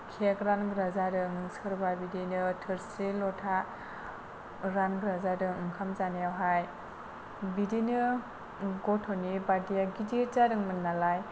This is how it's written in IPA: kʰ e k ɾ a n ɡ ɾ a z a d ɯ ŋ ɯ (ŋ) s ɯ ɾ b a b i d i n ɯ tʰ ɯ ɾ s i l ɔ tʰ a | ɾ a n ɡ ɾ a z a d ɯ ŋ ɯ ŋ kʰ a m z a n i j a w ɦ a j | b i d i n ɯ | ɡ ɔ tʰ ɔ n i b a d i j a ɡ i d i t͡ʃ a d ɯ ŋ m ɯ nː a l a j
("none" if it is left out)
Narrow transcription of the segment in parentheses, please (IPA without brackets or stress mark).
ŋ